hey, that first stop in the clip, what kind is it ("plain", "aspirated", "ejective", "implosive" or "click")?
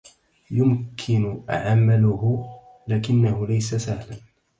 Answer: aspirated